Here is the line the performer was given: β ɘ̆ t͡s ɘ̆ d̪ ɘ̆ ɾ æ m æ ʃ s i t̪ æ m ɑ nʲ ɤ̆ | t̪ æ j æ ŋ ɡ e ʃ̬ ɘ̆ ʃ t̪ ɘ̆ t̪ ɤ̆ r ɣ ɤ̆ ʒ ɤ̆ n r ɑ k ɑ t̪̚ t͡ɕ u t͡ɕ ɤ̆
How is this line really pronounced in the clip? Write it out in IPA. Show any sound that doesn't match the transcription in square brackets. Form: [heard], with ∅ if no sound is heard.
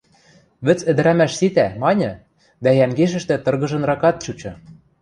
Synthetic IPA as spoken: β ɘ̆ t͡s ɘ̆ d̪ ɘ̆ ɾ æ m æ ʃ s i t̪ æ m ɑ nʲ ɤ̆ | [d̪] æ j æ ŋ ɡ e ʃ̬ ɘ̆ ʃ t̪ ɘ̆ t̪ ɤ̆ r ɣ ɤ̆ ʒ ɤ̆ n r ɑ k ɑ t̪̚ t͡ɕ u t͡ɕ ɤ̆